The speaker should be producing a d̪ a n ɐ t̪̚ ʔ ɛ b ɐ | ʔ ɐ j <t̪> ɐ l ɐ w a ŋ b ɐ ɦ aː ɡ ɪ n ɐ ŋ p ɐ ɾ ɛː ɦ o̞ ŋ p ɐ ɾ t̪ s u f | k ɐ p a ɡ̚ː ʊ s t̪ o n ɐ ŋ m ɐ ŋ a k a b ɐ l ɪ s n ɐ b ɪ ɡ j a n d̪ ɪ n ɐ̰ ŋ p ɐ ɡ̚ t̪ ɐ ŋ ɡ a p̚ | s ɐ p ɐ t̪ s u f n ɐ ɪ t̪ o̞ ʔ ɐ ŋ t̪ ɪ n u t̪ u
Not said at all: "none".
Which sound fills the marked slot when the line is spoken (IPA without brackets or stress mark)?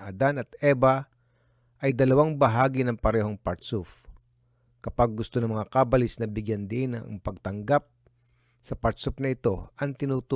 d̪